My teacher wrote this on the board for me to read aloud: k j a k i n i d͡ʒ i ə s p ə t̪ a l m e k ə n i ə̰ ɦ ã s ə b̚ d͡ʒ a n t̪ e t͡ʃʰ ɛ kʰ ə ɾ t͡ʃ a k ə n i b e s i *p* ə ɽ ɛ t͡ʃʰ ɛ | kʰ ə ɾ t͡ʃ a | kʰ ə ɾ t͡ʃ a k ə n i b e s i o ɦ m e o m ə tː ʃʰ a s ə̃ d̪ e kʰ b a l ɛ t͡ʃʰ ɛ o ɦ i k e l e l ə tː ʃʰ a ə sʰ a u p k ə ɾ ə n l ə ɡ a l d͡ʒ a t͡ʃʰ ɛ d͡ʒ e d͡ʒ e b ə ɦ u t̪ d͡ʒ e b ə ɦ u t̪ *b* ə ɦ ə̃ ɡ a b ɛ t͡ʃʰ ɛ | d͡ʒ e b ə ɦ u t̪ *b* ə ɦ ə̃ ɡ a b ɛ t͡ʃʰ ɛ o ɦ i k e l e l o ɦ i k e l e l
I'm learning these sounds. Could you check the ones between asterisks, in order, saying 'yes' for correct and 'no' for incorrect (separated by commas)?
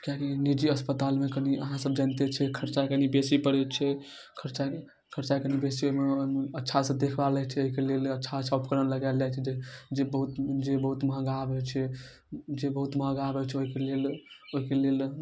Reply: yes, no, no